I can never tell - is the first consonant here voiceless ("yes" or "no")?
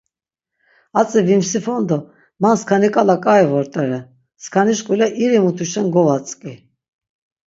yes